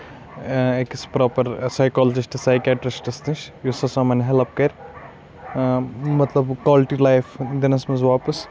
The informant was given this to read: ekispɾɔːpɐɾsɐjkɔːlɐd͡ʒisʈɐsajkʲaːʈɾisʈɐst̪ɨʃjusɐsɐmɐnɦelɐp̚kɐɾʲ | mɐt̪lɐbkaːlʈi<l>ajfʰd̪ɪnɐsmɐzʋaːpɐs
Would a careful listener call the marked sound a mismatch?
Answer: no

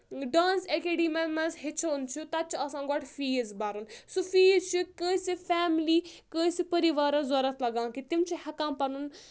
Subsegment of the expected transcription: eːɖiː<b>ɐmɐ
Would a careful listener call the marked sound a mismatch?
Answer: yes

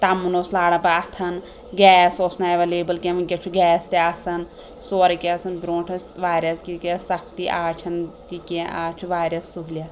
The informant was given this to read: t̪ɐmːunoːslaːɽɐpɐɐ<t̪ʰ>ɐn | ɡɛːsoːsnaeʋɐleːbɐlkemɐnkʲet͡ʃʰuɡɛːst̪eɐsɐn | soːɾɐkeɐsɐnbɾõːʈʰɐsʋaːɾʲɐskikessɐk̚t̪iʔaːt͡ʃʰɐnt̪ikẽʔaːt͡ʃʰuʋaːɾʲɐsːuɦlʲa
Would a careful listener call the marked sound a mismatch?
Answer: no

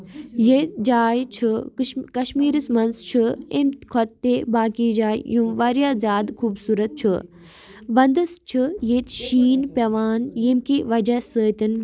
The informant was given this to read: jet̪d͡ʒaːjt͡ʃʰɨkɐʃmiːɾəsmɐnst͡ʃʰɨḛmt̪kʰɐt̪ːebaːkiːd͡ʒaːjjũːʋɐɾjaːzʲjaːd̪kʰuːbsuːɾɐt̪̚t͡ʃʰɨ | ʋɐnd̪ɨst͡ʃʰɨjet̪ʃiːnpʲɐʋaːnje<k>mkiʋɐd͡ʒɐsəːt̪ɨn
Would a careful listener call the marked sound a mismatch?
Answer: yes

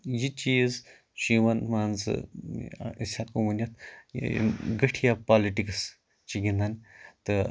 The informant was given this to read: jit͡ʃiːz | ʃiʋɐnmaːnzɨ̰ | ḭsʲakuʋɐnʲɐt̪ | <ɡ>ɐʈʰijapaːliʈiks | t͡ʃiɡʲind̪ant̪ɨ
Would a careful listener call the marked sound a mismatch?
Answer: no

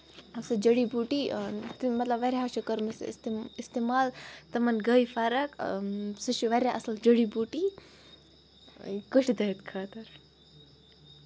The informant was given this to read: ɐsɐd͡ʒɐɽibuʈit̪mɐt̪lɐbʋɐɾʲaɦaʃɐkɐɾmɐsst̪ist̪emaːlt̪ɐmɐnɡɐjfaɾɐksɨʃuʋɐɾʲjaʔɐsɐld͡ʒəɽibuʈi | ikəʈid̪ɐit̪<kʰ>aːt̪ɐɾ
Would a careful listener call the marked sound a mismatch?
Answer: no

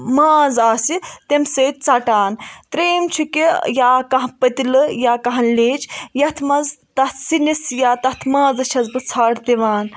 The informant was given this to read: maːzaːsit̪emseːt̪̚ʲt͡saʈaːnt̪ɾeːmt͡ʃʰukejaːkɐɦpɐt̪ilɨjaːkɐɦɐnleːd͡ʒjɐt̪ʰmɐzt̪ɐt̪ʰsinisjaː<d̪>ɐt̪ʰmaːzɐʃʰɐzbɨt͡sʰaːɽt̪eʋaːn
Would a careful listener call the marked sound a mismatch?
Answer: yes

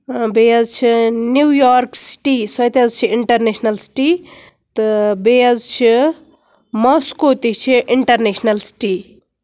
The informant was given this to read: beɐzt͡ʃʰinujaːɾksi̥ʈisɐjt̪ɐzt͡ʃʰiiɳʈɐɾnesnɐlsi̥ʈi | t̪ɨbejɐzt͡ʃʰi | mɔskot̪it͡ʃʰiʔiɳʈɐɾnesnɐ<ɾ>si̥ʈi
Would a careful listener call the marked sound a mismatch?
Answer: yes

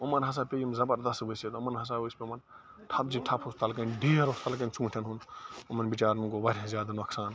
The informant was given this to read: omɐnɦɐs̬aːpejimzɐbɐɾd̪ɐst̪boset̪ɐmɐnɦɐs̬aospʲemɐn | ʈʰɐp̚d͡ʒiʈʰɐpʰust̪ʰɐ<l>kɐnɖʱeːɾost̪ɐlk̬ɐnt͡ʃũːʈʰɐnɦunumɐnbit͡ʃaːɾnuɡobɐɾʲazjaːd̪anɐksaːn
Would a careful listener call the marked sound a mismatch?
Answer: no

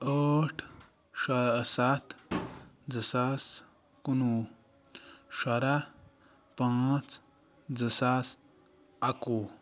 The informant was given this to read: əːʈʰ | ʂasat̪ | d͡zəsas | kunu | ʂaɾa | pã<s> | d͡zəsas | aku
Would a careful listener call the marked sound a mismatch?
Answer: yes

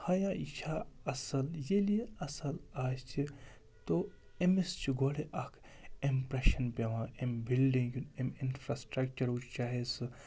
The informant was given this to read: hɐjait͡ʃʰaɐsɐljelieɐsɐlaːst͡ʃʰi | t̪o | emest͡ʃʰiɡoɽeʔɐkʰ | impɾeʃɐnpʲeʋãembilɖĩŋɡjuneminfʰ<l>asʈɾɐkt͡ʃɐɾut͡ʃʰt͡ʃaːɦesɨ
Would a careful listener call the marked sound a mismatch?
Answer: yes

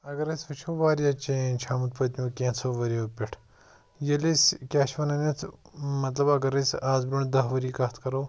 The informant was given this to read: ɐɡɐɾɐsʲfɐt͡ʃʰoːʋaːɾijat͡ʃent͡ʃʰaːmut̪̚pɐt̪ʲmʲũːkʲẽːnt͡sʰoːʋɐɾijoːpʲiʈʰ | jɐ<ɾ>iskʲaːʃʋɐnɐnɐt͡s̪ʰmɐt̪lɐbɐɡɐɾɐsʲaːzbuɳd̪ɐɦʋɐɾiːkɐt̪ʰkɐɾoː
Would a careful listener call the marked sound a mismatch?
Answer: yes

